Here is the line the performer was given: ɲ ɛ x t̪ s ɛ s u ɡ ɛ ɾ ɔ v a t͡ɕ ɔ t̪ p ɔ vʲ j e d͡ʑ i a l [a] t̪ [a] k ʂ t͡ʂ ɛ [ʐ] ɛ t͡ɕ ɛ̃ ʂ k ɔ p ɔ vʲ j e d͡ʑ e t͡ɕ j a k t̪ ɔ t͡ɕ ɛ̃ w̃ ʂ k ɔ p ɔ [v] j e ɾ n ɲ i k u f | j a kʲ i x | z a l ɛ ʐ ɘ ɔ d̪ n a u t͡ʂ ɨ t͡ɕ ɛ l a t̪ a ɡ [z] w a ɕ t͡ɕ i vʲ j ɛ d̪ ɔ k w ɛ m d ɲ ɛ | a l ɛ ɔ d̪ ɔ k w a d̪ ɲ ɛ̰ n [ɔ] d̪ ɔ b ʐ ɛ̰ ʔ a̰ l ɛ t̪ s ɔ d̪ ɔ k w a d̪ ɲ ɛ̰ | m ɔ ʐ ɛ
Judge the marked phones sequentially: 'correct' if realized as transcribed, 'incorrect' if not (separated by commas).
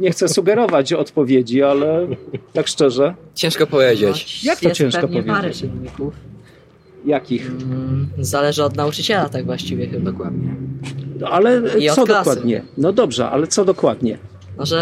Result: incorrect, correct, correct, correct, incorrect, correct